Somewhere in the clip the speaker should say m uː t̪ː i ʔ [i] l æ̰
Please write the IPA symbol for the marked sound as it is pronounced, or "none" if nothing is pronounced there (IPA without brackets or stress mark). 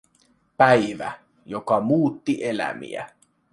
e